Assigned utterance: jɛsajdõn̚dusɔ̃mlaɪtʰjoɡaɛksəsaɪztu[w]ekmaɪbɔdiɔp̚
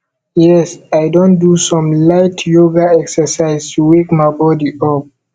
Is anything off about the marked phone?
no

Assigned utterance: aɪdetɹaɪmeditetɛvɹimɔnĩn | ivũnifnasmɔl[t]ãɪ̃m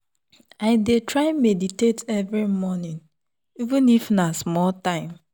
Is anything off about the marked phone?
no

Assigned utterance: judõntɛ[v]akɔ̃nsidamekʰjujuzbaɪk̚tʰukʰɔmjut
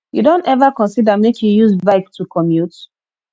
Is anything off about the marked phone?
no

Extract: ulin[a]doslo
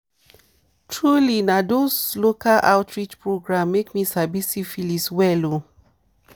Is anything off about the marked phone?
no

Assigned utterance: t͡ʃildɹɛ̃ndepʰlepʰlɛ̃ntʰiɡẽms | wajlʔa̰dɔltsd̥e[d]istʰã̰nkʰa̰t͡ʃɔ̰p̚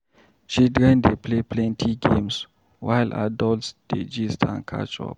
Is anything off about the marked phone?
yes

